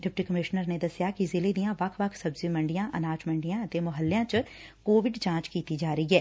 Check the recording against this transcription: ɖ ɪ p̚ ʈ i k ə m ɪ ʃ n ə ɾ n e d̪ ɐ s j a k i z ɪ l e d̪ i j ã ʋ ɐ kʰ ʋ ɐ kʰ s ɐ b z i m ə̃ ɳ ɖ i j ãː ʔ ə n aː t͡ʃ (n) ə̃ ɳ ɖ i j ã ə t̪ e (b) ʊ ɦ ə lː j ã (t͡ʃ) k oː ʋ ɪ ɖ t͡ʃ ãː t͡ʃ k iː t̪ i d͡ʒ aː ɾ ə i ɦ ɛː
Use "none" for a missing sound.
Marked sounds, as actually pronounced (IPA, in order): m, m, t͡ʃ

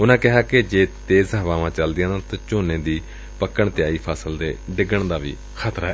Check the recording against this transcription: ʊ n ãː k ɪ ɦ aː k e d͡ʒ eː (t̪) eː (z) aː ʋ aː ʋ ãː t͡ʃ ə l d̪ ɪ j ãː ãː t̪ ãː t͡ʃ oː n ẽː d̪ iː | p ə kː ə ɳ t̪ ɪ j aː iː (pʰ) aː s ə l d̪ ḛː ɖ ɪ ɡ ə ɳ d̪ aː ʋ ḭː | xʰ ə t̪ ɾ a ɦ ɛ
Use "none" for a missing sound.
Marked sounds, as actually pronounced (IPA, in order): t̪, z, pʰ

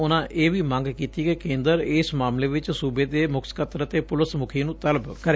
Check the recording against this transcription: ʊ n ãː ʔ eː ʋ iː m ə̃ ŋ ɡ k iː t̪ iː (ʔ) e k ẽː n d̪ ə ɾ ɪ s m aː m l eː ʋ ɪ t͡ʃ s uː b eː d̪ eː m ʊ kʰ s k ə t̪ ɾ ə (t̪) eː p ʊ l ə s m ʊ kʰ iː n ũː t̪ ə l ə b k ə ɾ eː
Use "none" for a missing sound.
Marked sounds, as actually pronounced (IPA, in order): k, t̪

